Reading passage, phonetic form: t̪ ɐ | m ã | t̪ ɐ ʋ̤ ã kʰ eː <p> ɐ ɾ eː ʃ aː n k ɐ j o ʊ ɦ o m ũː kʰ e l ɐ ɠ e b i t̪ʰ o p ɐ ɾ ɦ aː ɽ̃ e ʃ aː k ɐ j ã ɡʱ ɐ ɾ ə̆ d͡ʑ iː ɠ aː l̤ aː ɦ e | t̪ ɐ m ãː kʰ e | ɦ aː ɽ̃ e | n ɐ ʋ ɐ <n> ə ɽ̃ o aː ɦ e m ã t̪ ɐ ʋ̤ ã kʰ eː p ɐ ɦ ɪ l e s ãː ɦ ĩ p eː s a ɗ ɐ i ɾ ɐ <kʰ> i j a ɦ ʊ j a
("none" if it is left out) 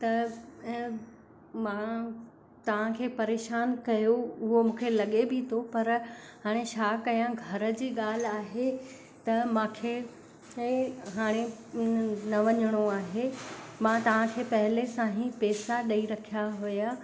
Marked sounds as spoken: p, ɲ, kʰ

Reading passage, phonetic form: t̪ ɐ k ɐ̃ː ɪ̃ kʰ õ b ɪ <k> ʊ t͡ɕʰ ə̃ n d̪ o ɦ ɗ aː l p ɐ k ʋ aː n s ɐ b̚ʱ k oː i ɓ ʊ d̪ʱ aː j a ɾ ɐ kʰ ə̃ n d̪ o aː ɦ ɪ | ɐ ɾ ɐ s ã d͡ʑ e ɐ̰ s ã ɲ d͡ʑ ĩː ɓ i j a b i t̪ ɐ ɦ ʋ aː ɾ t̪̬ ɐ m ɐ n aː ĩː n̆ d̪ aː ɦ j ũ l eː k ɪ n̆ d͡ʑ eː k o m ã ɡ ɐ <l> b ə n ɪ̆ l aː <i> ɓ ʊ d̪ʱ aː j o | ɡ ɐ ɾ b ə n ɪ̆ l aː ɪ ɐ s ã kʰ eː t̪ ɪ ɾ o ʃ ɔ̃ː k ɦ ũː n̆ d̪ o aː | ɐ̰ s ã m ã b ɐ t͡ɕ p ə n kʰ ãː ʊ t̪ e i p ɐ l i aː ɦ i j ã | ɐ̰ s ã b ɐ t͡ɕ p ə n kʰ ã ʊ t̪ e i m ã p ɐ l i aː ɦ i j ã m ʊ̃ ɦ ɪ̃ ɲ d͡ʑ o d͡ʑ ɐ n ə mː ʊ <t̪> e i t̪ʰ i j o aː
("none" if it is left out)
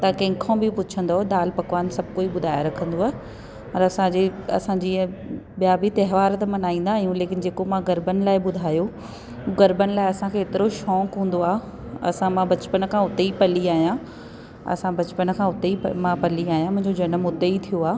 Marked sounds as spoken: p, ɾ, ɪ, d̪

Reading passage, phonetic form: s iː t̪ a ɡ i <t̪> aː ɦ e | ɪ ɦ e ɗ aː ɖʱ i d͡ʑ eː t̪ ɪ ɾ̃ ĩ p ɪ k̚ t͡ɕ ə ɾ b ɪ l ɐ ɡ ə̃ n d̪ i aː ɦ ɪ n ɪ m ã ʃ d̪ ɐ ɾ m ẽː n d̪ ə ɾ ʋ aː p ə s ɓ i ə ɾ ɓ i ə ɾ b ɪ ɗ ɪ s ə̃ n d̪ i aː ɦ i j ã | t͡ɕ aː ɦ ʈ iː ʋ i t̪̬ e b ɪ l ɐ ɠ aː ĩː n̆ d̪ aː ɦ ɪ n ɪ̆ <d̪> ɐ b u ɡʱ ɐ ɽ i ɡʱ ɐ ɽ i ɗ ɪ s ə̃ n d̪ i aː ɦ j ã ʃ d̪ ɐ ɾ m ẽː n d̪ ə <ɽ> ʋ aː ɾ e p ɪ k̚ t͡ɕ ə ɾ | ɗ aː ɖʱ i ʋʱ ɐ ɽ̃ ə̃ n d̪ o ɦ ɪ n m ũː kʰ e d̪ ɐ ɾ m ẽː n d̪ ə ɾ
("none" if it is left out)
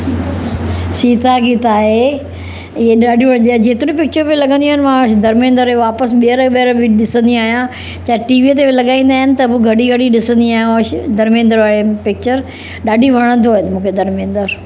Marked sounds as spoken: t̪, t̪, ɾ

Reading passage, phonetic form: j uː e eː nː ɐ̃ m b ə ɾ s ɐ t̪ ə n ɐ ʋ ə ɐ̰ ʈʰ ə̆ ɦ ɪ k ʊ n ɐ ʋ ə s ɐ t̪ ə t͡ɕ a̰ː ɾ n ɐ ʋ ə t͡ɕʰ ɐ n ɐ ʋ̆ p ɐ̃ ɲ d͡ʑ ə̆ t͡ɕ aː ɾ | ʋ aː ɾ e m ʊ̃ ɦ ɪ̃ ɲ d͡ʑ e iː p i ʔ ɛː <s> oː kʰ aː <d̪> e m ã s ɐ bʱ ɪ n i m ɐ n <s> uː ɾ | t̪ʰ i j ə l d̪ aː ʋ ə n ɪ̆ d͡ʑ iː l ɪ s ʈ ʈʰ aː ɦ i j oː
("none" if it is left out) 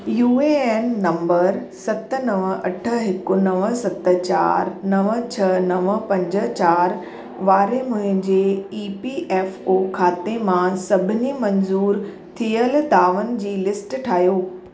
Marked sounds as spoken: f, t̪, z

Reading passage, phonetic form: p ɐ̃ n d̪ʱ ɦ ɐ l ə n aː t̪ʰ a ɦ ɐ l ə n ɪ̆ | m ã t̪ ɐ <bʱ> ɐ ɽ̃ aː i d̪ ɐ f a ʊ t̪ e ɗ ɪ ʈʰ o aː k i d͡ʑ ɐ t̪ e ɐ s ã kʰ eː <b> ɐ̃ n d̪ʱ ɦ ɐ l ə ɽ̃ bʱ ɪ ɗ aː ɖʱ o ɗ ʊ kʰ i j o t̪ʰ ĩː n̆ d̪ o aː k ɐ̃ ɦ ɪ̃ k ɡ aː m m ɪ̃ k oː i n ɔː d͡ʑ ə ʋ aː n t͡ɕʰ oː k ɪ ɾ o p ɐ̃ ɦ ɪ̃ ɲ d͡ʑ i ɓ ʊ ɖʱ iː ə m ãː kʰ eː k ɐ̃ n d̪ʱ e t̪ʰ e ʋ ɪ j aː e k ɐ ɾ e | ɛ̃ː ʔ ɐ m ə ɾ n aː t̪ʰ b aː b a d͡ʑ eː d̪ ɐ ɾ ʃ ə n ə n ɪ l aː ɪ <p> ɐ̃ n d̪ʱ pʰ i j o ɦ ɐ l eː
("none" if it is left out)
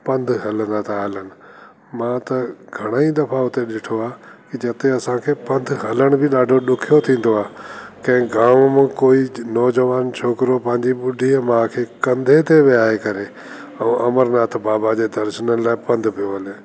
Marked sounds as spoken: ɡʱ, p, p

